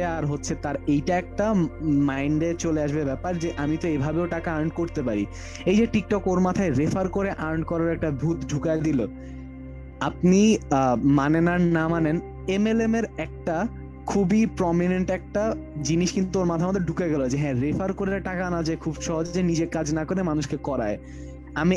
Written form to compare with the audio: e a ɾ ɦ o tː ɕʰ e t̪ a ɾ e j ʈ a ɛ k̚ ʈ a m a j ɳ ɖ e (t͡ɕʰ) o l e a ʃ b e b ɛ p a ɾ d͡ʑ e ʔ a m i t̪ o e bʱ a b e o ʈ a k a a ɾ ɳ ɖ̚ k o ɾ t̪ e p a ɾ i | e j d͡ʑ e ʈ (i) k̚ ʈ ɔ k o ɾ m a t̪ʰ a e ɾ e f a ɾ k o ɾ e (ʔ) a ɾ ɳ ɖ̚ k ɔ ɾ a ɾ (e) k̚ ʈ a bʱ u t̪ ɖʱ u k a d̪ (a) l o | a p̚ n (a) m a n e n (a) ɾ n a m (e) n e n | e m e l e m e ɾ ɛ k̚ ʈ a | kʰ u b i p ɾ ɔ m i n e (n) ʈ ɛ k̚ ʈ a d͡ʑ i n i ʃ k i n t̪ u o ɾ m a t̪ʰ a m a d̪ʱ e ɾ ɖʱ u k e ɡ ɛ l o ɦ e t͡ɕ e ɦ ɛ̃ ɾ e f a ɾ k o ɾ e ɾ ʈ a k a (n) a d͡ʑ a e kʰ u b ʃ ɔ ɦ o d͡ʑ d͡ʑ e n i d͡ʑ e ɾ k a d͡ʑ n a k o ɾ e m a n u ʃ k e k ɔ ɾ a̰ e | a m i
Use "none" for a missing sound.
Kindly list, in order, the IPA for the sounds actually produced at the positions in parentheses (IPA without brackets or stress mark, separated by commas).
t͡ɕ, i, ʔ, ɛ, i, i, a, a, ɳ, n